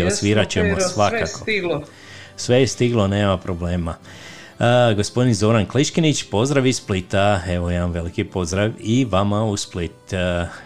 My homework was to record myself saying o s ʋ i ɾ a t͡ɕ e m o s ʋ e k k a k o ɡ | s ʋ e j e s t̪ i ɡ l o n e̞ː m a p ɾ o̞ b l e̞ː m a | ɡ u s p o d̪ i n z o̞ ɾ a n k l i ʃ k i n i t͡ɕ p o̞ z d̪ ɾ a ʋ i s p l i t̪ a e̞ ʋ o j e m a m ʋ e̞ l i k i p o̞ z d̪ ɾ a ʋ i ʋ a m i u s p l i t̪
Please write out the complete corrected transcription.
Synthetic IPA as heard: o s ʋ i ɾ a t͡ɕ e m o s ʋ a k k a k o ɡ | s ʋ e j e s t̪ i ɡ l o n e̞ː m a p ɾ o̞ b l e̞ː m a | ɡ o s p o d̪ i n z o̞ ɾ a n k l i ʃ k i n i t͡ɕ p o̞ z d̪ ɾ a ʋ i s p l i t̪ a e̞ ʋ o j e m a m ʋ e̞ l i k i p o̞ z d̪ ɾ a ʋ i ʋ a m a u s p l i t̪